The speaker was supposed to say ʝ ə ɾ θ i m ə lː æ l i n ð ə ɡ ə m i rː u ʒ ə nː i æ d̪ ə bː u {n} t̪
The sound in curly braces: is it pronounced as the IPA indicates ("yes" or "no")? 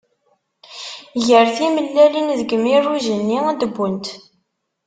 yes